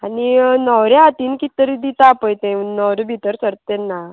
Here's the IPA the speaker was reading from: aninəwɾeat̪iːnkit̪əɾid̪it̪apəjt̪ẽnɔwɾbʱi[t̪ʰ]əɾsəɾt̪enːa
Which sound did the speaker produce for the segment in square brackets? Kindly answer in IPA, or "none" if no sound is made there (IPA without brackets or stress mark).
t̪